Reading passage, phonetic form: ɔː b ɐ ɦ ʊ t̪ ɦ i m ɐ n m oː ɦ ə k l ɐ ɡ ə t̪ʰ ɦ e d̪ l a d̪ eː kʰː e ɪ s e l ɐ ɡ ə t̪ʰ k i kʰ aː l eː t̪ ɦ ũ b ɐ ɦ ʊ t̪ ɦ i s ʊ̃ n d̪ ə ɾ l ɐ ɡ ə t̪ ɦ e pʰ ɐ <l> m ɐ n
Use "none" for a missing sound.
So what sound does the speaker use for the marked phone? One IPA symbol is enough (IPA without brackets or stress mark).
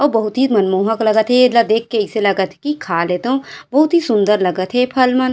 l